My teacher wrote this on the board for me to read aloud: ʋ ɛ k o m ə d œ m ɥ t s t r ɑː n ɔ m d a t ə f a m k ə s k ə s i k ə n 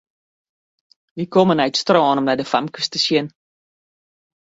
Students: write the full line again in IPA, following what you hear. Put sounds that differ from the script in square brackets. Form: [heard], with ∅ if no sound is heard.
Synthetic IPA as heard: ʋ [i] k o m ə [n] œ [∅] ɥ t s t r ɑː n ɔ m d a [d] ə f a m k ə s [t] ə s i [∅] ə n